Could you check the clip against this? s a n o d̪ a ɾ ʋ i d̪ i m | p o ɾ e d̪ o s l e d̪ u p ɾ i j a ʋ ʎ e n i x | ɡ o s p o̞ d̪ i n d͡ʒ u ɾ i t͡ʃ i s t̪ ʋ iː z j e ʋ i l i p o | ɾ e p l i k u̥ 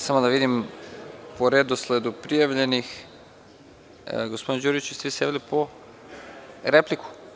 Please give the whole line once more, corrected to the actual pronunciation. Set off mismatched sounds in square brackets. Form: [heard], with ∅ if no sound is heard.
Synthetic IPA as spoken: s a [m] o d̪ a [∅] ʋ i d̪ i m | p o ɾ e d̪ o s l e d̪ u p ɾ i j a ʋ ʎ e n i x | ɡ o s p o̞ d̪ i n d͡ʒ u ɾ i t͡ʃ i s t̪ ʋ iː [s] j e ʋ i l i p o | ɾ e p l i k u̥